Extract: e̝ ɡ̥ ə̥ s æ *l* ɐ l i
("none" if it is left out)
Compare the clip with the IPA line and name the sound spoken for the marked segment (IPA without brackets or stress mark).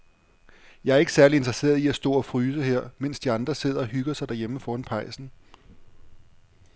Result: none